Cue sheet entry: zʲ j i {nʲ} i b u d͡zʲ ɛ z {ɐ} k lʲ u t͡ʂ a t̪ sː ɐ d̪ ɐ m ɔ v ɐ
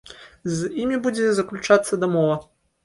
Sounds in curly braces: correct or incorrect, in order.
incorrect, correct

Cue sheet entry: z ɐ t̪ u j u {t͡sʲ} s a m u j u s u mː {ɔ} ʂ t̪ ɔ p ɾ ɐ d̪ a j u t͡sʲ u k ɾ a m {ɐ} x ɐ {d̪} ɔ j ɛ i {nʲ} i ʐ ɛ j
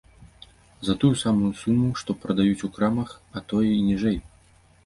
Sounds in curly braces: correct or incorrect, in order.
incorrect, incorrect, correct, incorrect, correct

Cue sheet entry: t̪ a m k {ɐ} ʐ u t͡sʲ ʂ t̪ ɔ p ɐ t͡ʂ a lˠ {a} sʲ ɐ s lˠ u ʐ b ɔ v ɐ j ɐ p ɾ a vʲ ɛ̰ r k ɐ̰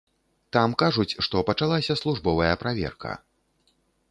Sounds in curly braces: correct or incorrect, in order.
incorrect, correct

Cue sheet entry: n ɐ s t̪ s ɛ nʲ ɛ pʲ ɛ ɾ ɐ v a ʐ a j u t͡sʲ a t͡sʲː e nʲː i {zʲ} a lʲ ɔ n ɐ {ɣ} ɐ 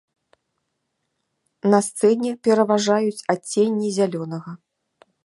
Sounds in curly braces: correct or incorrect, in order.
correct, correct

